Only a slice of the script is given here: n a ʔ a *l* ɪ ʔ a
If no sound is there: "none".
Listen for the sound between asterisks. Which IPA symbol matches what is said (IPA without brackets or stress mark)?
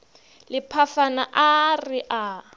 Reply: r